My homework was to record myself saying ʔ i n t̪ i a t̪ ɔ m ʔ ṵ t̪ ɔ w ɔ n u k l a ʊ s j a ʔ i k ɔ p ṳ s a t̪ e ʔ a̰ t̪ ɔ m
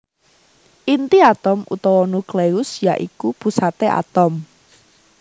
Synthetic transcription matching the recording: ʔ i n t̪ i a t̪ ɔ m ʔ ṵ t̪ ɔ w ɔ n u k l e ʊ s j a ʔ i k u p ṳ s a t̪ e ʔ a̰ t̪ ɔ m